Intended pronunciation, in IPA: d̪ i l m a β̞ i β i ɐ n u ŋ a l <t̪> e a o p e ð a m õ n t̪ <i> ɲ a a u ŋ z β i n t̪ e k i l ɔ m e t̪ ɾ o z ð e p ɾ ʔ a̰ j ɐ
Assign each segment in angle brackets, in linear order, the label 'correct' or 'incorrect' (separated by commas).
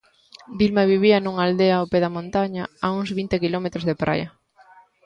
incorrect, incorrect